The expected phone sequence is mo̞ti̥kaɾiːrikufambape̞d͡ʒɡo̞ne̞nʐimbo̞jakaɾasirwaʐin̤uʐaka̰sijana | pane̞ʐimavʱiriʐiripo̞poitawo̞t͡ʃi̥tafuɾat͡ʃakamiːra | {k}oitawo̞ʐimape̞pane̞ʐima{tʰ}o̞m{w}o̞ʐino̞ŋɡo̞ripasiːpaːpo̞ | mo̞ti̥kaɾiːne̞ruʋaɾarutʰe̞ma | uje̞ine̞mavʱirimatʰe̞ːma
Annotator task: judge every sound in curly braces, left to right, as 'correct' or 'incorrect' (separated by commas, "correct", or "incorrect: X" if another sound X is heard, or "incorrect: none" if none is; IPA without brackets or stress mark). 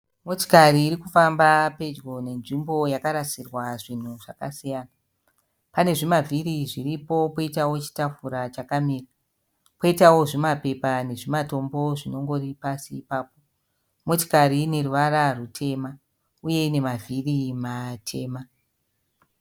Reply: incorrect: p, incorrect: t, incorrect: b